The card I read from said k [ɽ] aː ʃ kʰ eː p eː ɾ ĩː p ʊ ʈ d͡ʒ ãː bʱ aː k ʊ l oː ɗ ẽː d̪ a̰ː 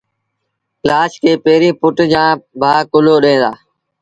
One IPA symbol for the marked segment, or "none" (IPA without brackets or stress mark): l